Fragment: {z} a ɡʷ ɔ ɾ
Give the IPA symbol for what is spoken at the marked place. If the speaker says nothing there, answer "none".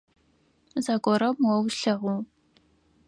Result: z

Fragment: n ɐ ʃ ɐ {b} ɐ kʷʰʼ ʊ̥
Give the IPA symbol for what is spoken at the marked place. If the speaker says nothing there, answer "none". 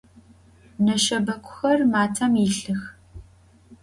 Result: b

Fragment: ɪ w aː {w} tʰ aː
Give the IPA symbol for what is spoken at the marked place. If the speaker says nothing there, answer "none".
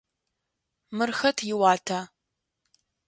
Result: none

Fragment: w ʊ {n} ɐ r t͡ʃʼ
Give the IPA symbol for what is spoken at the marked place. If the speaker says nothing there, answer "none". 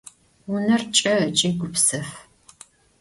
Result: n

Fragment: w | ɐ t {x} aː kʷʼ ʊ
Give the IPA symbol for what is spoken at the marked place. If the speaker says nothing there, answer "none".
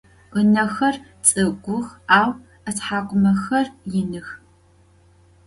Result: ħ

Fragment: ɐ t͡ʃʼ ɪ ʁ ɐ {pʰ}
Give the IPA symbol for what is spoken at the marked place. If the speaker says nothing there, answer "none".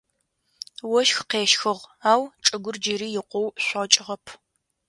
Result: pʰ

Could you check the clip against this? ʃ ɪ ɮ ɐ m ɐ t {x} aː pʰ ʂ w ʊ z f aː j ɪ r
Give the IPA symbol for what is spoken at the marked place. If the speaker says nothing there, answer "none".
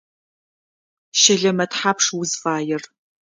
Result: ħ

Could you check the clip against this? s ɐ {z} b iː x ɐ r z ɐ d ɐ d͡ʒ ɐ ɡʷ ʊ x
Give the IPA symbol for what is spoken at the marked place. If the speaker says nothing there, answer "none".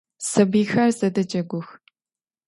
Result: none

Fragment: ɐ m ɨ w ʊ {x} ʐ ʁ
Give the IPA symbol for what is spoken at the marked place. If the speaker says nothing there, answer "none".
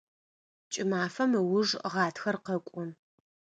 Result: none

